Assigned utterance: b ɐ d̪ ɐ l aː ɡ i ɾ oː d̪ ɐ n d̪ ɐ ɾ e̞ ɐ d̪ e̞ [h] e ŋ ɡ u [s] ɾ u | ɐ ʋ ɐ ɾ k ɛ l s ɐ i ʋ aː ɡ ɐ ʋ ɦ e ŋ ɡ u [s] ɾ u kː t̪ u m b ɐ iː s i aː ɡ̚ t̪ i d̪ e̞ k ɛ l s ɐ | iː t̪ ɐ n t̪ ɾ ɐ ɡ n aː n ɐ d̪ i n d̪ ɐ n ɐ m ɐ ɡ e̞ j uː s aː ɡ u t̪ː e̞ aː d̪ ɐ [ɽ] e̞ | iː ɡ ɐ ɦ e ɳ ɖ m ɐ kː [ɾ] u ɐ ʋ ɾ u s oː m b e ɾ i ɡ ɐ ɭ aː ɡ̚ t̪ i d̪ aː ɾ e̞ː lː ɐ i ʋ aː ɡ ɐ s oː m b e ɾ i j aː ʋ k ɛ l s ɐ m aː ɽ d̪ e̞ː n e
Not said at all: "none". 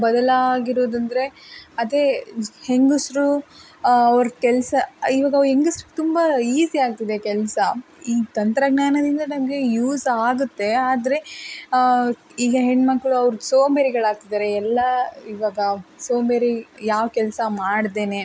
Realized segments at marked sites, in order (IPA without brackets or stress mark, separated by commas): h, s, s, ɾ, ɭ